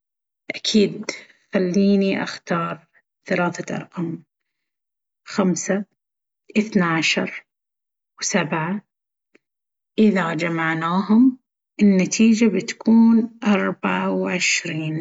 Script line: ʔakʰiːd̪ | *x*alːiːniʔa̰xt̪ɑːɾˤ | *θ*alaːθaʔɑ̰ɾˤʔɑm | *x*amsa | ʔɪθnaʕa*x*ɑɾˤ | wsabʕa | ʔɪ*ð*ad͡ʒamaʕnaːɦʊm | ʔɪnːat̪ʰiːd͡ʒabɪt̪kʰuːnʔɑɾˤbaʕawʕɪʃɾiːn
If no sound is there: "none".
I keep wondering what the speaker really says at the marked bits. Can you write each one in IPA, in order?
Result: x, θ, x, ʃ, ð

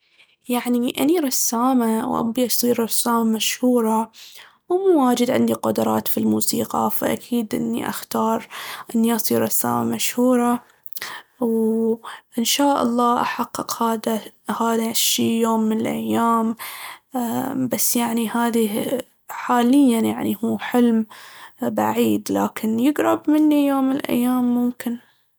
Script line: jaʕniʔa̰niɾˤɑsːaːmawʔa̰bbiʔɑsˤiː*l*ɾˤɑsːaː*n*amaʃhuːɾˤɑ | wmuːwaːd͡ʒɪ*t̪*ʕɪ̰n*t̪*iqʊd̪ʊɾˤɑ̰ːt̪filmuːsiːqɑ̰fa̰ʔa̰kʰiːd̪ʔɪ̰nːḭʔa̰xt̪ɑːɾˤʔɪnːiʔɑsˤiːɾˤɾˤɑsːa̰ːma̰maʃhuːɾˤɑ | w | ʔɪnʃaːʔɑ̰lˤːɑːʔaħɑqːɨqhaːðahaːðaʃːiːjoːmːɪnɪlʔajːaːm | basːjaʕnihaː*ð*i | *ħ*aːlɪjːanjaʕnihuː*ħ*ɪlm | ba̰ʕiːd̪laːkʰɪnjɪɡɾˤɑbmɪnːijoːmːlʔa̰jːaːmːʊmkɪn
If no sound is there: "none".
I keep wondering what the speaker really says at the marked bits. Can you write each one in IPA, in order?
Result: ɾ, m, d̪, d̪, ð, ħ, ħ

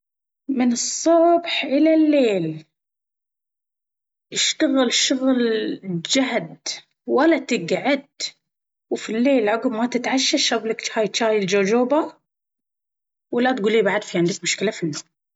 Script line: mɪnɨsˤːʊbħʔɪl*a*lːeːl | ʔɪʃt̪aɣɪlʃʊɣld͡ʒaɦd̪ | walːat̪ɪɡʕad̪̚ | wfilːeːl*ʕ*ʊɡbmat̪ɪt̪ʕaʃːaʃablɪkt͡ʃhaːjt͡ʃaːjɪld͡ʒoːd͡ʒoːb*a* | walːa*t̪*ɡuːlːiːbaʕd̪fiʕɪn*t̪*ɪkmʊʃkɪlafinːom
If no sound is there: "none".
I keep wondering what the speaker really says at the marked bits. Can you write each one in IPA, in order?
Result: a, ʕ, a, t̪, d̪

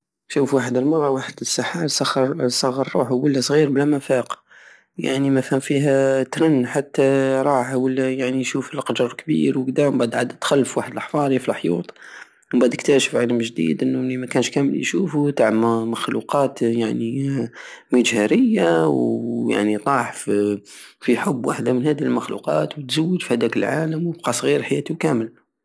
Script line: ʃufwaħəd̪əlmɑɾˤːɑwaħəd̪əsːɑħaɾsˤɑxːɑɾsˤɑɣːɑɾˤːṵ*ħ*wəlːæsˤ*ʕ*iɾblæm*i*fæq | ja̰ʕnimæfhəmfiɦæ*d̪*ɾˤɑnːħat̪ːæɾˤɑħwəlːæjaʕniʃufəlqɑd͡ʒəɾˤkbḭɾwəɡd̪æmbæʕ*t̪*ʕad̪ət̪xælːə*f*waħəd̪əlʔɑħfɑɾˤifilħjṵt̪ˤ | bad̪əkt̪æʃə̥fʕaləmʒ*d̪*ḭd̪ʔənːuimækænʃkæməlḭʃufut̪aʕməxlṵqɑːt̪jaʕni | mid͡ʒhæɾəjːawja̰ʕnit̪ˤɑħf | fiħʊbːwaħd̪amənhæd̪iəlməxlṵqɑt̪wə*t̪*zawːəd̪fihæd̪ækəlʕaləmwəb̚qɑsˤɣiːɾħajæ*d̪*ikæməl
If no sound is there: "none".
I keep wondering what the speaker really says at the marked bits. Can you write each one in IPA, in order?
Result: ħ, ɣ, æ, t̪, d̪, f, d̪, t̪, t̪

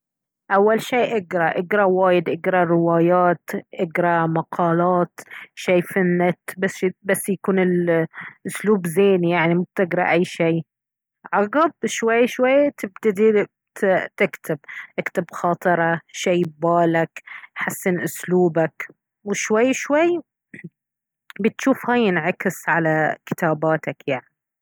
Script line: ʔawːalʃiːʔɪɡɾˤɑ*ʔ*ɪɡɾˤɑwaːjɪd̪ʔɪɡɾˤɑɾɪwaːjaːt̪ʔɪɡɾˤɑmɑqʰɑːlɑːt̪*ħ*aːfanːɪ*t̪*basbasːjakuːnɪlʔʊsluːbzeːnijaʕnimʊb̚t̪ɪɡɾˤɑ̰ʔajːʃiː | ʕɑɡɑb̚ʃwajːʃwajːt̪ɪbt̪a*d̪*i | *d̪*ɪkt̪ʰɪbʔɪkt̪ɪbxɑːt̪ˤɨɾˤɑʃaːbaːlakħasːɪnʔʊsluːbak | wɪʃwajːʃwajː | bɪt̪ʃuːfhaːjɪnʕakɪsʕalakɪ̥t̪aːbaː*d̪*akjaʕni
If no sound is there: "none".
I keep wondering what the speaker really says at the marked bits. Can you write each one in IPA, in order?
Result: ʔ, ʃ, t̪, d̪, t̪, t̪

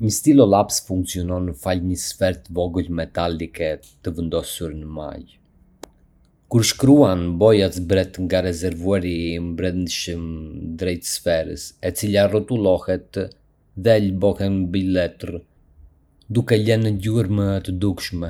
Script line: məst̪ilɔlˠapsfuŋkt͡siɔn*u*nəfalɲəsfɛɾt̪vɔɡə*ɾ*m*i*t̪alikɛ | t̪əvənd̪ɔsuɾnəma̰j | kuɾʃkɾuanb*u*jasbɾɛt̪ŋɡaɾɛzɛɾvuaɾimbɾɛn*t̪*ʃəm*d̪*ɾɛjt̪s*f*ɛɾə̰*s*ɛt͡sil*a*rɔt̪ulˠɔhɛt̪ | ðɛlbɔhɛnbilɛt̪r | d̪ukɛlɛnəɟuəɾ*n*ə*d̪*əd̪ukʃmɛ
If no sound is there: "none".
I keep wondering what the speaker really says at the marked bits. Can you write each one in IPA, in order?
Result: ɔ, l, ɛ, ɔ, d̪, d̪, f, s, a, m, t̪

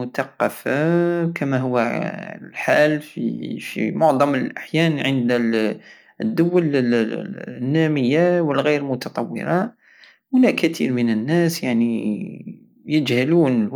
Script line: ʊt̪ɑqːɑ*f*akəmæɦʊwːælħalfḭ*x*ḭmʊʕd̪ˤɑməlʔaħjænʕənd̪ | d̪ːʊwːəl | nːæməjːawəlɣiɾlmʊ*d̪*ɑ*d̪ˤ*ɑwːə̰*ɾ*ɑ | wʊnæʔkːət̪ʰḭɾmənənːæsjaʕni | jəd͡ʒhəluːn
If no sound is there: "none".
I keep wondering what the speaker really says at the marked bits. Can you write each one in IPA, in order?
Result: f, f, t̪, t̪ˤ, ɾ

